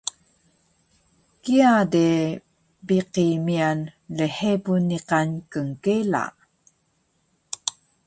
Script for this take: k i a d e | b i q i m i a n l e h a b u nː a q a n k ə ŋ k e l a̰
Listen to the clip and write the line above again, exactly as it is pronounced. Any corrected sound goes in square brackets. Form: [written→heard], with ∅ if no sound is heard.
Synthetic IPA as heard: k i a d e | b i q i m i a n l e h [a→e] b u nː [a→i] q a n k ə ŋ k e l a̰